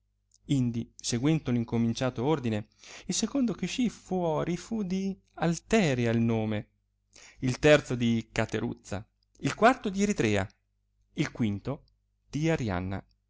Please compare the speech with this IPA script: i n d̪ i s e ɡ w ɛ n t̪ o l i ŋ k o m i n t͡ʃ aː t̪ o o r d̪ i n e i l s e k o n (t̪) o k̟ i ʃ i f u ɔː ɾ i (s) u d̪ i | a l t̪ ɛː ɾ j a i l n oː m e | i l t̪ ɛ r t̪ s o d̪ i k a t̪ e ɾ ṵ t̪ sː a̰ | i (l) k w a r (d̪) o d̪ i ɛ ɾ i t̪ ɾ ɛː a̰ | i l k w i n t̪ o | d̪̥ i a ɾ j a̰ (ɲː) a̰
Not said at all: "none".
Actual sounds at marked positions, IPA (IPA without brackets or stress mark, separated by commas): d̪, f, l, t̪, nː